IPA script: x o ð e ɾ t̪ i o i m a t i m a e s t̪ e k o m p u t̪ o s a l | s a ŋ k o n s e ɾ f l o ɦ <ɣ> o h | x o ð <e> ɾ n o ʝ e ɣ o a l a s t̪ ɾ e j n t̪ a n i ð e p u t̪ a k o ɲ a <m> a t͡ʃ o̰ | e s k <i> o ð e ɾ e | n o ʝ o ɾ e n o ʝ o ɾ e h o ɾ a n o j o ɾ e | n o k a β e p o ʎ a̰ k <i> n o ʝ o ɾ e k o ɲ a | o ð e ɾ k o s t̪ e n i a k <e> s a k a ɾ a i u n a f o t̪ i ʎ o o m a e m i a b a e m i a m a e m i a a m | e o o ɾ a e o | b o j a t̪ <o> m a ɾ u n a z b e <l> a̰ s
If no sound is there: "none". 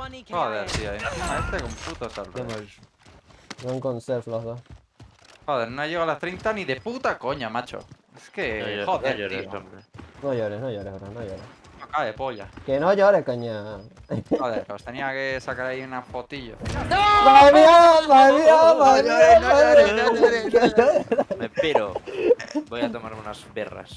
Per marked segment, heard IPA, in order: ð, e, m, e, e, e, o, r

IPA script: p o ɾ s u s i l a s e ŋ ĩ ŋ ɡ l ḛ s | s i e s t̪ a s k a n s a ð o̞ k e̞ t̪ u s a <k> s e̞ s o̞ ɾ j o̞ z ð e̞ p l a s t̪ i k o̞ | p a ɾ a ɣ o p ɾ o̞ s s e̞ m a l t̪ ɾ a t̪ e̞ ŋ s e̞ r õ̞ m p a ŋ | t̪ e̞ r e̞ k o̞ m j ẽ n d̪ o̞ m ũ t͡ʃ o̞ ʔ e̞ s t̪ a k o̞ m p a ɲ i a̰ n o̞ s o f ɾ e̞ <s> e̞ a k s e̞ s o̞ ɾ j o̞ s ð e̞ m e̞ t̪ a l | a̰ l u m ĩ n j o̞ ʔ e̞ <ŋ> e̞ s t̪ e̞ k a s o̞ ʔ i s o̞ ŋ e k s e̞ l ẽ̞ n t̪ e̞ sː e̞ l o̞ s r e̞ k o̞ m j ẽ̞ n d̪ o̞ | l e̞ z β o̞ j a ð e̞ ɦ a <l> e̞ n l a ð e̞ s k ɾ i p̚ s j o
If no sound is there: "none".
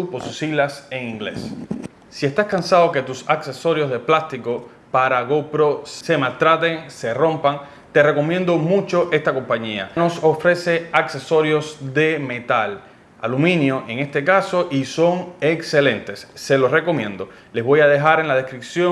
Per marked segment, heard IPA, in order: k, s, ŋ, ɾ

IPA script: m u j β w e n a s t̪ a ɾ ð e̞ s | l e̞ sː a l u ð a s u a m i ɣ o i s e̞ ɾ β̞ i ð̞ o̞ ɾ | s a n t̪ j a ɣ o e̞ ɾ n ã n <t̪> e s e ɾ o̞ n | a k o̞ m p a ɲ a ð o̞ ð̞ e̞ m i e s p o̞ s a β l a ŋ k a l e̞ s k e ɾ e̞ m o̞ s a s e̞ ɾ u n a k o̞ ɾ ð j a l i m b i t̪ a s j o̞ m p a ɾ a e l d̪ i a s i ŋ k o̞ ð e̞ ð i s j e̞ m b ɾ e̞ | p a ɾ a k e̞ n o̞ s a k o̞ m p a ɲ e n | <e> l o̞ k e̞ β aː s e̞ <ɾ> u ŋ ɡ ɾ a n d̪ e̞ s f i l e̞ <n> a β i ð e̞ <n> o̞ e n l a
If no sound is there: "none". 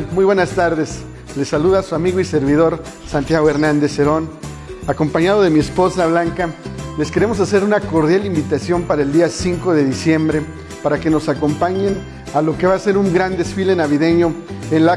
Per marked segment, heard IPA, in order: d̪, a, ɾ, n, ɲ

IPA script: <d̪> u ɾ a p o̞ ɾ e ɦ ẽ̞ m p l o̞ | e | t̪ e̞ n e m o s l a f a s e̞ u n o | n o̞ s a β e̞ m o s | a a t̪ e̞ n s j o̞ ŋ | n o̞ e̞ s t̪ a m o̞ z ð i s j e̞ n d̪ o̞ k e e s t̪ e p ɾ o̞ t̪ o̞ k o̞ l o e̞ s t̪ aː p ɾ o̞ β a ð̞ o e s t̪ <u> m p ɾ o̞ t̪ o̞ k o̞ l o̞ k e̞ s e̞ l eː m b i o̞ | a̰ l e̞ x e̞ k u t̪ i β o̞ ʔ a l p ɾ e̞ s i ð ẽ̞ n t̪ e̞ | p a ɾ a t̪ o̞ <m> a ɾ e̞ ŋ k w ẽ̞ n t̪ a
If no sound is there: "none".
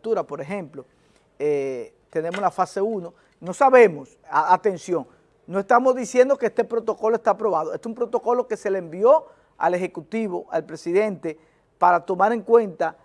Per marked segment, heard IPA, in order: t̪, u, m

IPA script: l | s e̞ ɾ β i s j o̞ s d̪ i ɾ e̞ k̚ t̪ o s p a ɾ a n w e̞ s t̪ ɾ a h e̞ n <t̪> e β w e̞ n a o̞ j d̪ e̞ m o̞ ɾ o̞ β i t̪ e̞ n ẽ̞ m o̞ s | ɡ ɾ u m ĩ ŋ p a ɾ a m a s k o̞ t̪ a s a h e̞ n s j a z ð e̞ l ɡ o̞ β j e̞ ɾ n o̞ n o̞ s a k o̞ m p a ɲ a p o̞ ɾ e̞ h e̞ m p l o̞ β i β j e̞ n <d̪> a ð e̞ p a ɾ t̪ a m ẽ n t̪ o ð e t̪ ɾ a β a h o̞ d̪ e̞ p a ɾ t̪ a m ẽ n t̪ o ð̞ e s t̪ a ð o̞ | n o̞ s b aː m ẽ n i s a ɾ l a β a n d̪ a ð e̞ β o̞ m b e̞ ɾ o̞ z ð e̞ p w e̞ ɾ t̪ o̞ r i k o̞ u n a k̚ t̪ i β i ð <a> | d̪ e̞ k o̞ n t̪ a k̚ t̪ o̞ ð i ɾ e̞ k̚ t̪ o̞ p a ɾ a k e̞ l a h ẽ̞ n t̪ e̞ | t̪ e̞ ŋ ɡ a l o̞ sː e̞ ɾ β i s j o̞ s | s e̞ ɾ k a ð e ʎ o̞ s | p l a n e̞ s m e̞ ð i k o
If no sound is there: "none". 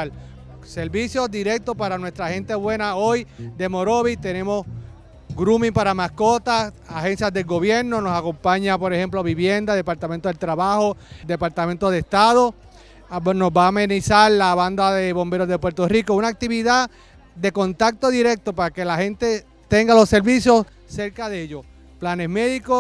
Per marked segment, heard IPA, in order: t̪, d̪, a

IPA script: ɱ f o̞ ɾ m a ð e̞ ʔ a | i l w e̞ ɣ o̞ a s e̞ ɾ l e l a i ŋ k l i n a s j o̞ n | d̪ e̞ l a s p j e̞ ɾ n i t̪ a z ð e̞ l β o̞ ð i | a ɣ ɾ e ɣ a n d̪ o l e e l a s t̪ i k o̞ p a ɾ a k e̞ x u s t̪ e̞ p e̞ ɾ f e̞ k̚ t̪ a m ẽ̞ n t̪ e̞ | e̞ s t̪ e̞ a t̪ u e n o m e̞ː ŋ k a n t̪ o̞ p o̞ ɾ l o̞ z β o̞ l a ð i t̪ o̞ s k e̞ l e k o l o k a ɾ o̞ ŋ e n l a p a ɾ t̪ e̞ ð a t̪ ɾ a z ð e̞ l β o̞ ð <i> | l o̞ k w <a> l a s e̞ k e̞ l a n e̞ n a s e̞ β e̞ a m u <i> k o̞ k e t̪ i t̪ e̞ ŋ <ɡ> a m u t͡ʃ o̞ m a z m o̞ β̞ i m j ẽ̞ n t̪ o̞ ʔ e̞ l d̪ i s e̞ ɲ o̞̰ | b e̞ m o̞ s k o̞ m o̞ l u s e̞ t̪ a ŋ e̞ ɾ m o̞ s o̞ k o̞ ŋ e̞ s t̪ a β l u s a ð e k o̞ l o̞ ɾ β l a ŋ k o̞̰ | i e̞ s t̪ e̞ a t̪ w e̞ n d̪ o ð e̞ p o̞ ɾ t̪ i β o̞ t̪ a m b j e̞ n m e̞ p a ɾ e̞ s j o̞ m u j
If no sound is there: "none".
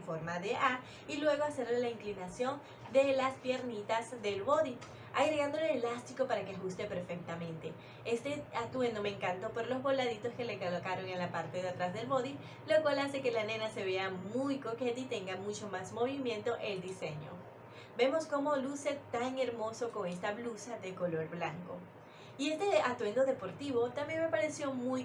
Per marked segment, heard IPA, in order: i, a, j, ɡ

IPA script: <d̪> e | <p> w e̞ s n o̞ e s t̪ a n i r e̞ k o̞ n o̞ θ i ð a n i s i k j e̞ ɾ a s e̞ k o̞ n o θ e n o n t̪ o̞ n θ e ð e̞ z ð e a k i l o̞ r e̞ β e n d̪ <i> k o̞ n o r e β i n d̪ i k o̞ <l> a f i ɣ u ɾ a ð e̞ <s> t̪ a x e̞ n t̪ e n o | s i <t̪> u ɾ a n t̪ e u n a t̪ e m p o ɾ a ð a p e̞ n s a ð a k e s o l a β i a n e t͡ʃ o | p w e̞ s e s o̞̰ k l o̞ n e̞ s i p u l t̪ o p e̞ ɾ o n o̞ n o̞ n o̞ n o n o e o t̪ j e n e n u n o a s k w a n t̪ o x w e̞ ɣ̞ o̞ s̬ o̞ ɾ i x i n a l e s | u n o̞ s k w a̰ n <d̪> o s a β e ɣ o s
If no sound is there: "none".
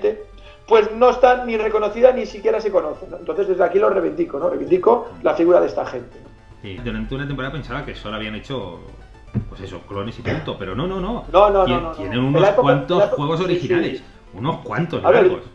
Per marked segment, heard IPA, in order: t̪, p, i, l, s, d̪, t̪

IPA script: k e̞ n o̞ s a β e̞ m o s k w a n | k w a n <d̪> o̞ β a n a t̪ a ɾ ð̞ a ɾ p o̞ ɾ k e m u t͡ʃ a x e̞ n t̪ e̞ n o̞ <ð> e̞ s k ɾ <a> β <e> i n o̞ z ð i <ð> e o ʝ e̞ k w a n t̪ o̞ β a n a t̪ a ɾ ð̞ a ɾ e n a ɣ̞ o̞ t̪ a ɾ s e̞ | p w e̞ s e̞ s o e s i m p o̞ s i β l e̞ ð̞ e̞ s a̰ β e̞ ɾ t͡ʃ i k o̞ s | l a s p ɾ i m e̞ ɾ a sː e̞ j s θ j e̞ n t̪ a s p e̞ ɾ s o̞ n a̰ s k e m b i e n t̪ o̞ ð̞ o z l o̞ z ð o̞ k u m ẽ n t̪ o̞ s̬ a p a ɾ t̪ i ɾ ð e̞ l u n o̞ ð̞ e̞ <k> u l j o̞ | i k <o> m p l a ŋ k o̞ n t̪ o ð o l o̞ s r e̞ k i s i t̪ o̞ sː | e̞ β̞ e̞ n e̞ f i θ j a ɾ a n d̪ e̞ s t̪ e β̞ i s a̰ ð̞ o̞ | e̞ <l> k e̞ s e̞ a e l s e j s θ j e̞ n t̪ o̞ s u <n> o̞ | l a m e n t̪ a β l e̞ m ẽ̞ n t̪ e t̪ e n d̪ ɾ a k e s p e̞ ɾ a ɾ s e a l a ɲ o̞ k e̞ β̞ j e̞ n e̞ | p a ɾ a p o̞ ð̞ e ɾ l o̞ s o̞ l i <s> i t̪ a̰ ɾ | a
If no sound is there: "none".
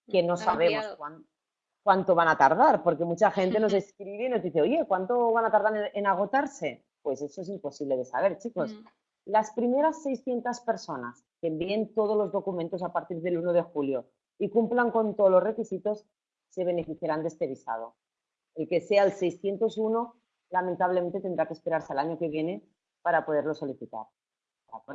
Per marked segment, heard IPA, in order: t̪, z, i, e, θ, x, u, l, n, θ

